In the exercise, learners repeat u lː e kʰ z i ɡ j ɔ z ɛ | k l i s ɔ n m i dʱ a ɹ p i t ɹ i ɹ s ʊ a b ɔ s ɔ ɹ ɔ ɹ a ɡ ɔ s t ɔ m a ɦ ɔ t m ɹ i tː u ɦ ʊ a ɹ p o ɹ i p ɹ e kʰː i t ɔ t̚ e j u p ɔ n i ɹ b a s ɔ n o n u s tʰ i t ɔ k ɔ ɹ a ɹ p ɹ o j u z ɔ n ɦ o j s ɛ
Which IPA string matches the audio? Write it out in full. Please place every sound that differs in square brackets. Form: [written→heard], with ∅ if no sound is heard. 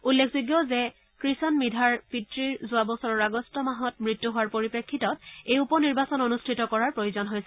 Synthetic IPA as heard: u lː e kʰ z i ɡ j ɔ z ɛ | k [l→ɹ] i s ɔ n m i dʱ a ɹ p i t ɹ i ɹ [s→z] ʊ a b ɔ s ɔ ɹ ɔ ɹ a ɡ ɔ s t ɔ m a ɦ ɔ t m ɹ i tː u ɦ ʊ a ɹ p o ɹ i p ɹ e kʰː i t ɔ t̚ e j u p ɔ n i ɹ b a s ɔ n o n u s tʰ i t ɔ k ɔ ɹ a ɹ p ɹ o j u z ɔ n ɦ o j s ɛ